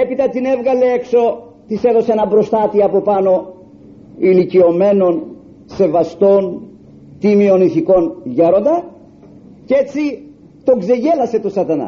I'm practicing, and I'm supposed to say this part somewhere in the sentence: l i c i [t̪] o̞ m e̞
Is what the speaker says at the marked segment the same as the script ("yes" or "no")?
no